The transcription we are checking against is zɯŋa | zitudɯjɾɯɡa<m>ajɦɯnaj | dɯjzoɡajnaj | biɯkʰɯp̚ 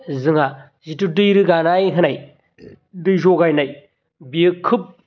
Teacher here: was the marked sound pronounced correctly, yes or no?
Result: no